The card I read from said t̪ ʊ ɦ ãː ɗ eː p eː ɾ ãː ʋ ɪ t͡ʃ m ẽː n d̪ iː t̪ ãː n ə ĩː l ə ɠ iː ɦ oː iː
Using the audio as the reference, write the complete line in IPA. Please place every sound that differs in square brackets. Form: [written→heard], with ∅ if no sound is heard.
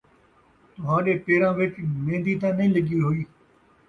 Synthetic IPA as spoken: t̪ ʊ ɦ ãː ɗ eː p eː ɾ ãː ʋ ɪ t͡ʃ m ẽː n d̪ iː t̪ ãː n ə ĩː l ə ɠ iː ɦ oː iː